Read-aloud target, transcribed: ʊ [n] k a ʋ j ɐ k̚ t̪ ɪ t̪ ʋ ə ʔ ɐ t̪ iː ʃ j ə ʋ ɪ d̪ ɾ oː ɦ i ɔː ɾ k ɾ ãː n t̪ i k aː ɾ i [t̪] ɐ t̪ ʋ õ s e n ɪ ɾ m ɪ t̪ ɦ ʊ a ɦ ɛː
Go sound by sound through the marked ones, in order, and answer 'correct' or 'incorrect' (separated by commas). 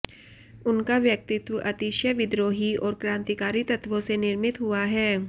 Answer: correct, correct